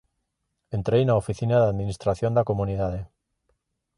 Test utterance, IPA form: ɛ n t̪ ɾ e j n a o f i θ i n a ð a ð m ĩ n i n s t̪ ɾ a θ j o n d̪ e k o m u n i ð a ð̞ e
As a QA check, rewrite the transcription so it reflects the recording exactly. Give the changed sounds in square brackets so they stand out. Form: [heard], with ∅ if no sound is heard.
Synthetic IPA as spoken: [e] n t̪ ɾ e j n a o f i θ i n a ð a ð m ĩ n i [∅] s t̪ ɾ a θ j o n d̪ [a] k o m u n i ð a ð̞ e